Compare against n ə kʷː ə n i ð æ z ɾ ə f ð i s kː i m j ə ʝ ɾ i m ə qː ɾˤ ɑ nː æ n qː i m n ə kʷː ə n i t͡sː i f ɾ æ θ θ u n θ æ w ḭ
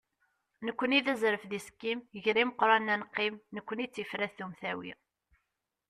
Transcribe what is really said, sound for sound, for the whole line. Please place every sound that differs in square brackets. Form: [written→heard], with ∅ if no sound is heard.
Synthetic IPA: n ə kʷː ə n i ð æ z ɾ ə f ð i s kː i m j ə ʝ ɾ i m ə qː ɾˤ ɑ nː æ n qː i m n ə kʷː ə n i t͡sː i f ɾ æ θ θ u [n→m] θ æ w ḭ